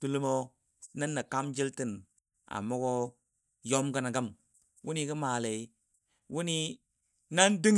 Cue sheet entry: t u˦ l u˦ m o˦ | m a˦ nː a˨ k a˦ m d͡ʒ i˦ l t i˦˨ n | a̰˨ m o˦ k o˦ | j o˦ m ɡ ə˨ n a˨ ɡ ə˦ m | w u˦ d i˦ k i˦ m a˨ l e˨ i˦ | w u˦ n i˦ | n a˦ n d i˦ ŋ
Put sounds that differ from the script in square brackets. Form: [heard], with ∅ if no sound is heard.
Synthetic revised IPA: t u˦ l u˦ m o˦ | [n] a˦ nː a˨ k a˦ m d͡ʒ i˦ l t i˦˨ n | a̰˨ m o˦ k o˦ | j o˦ m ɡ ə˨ n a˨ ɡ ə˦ m | w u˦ [n] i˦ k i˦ m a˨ l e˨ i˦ | w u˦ n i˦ | n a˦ n d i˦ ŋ